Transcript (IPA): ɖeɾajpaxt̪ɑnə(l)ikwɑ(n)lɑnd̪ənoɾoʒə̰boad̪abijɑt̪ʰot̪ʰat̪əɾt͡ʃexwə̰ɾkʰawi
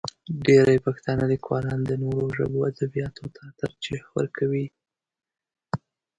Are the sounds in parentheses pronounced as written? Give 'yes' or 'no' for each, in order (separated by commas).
yes, no